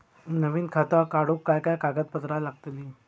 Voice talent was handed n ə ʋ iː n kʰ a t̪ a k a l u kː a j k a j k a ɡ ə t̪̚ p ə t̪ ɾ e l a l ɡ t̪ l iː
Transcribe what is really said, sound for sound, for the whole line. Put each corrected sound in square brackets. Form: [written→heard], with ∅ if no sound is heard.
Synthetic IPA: n ə ʋ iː n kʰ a t̪ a k a [l→ɽ] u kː a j k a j k a ɡ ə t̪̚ p ə t̪ ɾ [e→a] l a [l→∅] ɡ t̪ l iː